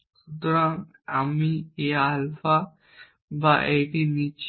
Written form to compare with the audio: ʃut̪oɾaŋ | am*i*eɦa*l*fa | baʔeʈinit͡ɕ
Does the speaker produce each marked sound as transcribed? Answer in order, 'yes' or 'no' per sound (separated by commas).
yes, yes